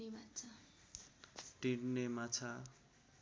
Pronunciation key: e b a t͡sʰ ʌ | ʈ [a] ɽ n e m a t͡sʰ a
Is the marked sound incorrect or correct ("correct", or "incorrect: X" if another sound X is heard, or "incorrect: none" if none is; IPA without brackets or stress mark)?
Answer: incorrect: i